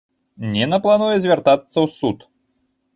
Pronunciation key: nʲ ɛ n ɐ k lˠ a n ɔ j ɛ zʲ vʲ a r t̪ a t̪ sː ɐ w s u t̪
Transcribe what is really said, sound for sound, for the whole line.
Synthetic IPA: nʲ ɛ n ɐ p lˠ a n u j ɛ zʲ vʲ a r t̪ a t̪ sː ɐ w s u t̪